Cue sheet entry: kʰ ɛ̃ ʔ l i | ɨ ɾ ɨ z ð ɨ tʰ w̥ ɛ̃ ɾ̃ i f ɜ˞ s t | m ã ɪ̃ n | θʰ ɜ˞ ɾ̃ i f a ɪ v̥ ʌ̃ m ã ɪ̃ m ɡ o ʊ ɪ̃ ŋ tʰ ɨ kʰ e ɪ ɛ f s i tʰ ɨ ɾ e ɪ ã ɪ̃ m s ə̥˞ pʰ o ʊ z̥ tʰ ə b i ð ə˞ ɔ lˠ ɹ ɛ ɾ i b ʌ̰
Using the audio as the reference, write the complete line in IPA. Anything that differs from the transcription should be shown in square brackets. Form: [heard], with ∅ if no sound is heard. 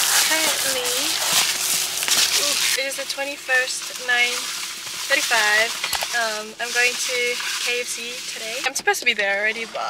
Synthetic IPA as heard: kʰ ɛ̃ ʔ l i | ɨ ɾ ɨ z ð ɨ tʰ w̥ ɛ̃ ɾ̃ i f ɜ˞ s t | [n] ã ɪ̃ n | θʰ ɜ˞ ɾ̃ i f a ɪ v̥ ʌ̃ m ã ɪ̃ m ɡ o ʊ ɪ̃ ŋ tʰ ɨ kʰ e ɪ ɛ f s i tʰ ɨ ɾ e ɪ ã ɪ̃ m s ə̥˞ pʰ o ʊ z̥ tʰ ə b i ð ə˞ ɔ lˠ ɹ ɛ ɾ i b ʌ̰